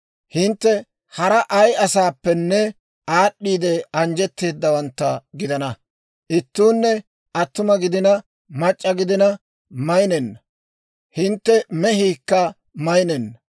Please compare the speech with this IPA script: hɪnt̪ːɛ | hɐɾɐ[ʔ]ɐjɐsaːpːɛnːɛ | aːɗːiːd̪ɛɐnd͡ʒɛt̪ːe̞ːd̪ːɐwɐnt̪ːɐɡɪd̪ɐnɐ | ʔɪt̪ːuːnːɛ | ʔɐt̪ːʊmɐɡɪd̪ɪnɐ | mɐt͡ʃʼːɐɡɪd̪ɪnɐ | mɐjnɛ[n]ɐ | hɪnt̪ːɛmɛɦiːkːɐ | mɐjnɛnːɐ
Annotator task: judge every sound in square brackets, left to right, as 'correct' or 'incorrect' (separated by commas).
correct, incorrect